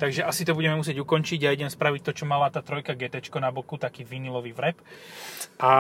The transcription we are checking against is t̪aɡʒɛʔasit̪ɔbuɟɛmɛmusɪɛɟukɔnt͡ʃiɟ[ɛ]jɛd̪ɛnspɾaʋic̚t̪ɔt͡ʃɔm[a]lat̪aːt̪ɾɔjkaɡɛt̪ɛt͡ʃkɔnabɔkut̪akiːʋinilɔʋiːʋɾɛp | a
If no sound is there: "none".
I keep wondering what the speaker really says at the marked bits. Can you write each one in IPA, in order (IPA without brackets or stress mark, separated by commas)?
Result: a, a